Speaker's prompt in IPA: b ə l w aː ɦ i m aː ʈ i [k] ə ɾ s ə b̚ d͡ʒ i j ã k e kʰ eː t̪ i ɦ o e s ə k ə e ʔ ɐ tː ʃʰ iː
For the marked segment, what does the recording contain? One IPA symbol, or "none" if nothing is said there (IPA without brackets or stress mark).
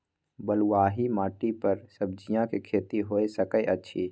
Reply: p